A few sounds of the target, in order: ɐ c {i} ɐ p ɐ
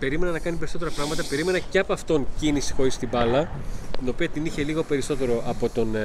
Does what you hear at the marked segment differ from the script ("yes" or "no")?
yes